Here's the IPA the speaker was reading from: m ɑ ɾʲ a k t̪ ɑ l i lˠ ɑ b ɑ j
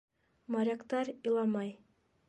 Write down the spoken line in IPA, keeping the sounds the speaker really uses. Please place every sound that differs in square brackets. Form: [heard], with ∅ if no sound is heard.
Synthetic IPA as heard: m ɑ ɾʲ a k t̪ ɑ [ɾ] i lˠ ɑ [m] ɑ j